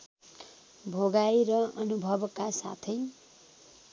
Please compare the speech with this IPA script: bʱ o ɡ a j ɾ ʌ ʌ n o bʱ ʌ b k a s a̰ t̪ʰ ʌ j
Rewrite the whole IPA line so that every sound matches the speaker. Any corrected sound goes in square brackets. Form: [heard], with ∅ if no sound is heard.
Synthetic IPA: bʱ o ɡ a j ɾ ʌ ʌ n [u] bʱ ʌ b k a s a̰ t̪ʰ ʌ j